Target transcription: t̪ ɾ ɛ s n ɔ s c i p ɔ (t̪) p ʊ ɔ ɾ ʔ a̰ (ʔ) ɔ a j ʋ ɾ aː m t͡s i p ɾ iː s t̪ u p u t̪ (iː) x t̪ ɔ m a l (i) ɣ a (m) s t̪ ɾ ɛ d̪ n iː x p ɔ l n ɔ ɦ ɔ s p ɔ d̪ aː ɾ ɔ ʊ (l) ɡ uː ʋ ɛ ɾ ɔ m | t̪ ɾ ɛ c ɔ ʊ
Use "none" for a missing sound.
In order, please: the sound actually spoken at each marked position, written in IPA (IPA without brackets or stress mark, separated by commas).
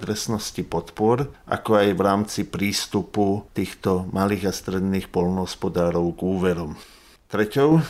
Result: t̪, k, iː, iː, none, none